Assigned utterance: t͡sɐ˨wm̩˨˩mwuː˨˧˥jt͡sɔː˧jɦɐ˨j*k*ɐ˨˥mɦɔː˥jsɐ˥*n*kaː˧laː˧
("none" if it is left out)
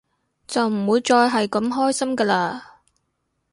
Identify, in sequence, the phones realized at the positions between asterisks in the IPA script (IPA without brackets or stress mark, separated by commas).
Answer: k, m